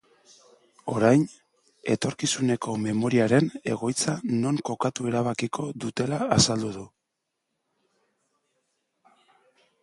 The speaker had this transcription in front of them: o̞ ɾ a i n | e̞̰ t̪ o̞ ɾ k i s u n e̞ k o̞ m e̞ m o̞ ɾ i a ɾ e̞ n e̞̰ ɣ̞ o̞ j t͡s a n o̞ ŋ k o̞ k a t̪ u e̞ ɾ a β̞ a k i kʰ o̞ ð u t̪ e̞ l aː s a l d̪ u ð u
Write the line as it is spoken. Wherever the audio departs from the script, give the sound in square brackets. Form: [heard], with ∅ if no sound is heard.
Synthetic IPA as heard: o̞ ɾ a [j] n | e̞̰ t̪ o̞ ɾ k i s u n e̞ k o̞ m e̞ m o̞ ɾ i a ɾ e̞ n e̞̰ ɣ̞ o̞ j t͡s a n o̞ ŋ k o̞ k a t̪ u e̞ ɾ a β̞ a k i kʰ o̞ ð u t̪ e̞ l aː s a l d̪ u ð u